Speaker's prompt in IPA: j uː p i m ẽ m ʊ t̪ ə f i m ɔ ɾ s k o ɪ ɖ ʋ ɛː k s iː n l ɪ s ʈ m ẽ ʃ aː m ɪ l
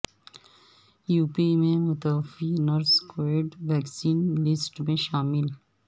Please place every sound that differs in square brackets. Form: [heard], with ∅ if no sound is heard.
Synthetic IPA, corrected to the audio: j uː p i m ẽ m ʊ t̪ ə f i [n] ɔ ɾ s k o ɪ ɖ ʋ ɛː k s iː n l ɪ s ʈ m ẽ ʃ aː m ɪ l